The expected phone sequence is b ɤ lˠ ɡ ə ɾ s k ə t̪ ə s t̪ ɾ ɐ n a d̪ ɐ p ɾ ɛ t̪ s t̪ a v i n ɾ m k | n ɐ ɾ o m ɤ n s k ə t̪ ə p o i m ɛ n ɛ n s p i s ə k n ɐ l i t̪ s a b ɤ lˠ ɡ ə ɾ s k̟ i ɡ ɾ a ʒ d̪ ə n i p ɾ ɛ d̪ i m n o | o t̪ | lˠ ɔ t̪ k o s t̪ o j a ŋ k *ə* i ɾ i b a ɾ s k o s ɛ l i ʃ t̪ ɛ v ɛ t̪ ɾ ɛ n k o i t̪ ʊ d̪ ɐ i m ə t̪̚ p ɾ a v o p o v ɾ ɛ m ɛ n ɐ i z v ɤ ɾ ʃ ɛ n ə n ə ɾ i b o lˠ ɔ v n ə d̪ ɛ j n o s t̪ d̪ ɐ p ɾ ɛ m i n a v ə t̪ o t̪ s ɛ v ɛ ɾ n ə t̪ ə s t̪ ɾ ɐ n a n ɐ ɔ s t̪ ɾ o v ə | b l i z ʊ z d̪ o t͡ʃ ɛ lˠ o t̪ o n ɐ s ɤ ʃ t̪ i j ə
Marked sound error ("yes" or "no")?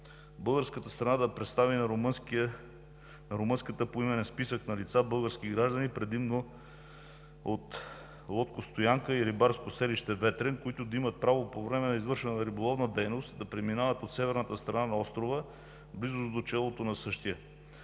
no